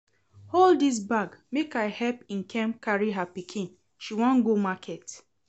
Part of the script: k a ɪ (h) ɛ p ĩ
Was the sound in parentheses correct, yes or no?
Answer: yes